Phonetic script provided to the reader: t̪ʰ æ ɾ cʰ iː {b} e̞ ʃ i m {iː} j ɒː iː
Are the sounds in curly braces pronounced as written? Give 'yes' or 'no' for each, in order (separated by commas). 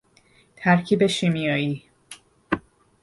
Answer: yes, no